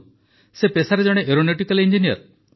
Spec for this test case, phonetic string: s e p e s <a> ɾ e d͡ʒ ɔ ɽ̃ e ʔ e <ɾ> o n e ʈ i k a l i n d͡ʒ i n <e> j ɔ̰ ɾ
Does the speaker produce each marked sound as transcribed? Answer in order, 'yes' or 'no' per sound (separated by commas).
yes, yes, no